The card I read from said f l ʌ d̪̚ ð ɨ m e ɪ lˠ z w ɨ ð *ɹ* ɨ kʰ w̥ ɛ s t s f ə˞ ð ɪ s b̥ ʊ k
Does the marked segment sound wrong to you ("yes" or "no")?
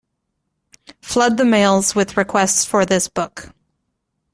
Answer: no